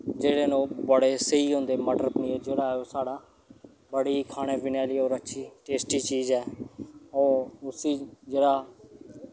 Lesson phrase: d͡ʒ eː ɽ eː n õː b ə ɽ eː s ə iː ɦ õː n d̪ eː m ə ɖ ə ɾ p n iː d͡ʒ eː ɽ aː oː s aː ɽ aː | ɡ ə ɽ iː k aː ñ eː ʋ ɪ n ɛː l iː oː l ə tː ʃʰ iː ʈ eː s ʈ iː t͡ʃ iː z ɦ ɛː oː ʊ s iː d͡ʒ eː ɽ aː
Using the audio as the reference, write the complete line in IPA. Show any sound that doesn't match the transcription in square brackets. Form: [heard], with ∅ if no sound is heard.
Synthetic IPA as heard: d͡ʒ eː ɽ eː n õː b ə ɽ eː s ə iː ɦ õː n d̪ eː m ə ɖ ə ɾ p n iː d͡ʒ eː ɽ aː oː s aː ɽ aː | [b] ə ɽ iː [kʰ] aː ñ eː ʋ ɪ n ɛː l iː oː [ɾ] ə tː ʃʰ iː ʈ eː s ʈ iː t͡ʃ iː z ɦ ɛː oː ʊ s iː d͡ʒ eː ɽ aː

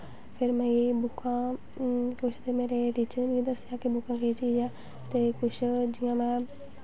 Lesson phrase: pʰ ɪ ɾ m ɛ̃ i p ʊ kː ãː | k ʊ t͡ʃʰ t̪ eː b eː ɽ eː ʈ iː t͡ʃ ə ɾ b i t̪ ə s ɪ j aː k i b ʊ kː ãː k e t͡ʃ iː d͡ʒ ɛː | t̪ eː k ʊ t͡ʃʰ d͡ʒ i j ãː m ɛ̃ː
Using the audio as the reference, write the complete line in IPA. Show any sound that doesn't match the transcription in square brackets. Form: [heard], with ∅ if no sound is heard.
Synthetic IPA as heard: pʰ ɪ ɾ m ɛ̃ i [b] ʊ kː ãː | k ʊ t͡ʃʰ t̪ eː [m] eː [ɾ] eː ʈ iː t͡ʃ ə ɾ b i [d̪] ə s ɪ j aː k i b ʊ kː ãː k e t͡ʃ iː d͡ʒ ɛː | t̪ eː k ʊ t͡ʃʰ d͡ʒ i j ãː m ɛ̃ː

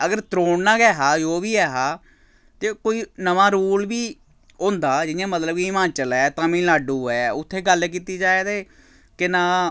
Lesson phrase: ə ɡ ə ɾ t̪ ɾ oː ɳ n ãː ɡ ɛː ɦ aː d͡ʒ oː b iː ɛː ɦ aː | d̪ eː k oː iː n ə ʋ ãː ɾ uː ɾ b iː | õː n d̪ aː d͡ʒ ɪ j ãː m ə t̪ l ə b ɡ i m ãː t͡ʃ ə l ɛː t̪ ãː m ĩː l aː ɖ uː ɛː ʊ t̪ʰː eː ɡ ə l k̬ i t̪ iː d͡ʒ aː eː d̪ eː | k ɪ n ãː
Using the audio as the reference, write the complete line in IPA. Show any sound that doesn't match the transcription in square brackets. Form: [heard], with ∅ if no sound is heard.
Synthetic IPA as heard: ə ɡ ə ɾ t̪ ɾ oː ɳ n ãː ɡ ɛː ɦ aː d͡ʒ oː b iː ɛː ɦ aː | [t̪] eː k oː iː n ə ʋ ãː ɾ uː [l] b iː | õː n d̪ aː d͡ʒ ɪ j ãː m ə t̪ l ə b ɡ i m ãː t͡ʃ ə l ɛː t̪ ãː m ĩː l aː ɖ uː ɛː ʊ t̪ʰː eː ɡ ə l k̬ [iː] t̪ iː d͡ʒ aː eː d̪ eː | k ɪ n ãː

